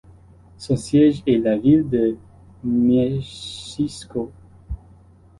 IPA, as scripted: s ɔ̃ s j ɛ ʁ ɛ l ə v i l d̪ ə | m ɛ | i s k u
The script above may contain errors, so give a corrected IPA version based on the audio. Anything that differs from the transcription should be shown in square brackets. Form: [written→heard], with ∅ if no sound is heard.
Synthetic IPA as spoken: s ɔ̃ s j ɛ [ʁ→ʒ] ɛ l [ə→a] v i l d̪ ə | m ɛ | i s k [u→o]